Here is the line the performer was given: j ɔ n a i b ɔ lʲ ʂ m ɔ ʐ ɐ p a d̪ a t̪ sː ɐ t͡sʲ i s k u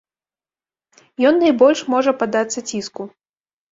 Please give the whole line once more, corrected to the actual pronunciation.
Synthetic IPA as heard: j ɔ nː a j b ɔ lʲ ʂ m ɔ ʐ ɐ p a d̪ a t̪ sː ɐ t͡sʲ i s k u